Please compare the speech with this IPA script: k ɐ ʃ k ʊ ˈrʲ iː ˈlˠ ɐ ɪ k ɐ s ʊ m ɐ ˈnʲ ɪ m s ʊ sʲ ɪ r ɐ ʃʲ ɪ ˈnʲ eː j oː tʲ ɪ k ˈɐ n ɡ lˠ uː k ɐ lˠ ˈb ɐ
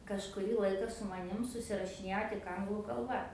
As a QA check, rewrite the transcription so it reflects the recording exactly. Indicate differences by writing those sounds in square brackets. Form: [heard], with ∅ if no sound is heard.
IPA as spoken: k ɐ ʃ k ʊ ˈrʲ iː ˈlˠ ɐ ɪ k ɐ s ʊ m ɐ ˈnʲ ɪ m s ʊ sʲ ɪ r ɐ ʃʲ ɪ ˈnʲ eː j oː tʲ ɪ k ˈɐ [ŋ] ɡ lˠ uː k ɐ lˠ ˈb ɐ